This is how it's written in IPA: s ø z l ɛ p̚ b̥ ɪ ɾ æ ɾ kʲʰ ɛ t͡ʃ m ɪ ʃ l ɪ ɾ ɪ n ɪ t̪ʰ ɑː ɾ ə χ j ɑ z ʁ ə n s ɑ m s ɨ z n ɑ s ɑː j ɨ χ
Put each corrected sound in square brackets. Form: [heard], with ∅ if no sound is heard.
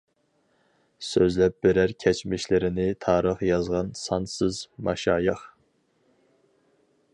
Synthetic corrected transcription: s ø z l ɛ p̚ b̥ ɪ ɾ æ ɾ kʲʰ ɛ t͡ʃ m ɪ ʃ l ɪ ɾ ɪ n ɪ t̪ʰ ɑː ɾ ə χ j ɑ z ʁ [ɑ] n s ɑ [n] s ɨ z [m] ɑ [ʃ] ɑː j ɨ χ